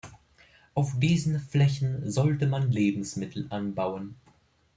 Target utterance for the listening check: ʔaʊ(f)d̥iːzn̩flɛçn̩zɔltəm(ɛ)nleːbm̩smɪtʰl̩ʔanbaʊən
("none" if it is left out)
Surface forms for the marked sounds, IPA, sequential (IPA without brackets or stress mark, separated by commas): f, a